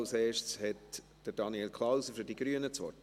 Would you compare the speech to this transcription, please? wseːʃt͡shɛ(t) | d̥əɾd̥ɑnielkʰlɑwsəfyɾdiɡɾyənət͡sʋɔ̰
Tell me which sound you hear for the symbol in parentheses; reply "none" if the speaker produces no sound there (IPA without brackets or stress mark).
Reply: t